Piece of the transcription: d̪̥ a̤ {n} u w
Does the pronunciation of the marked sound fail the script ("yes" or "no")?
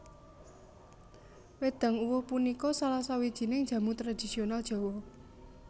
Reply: yes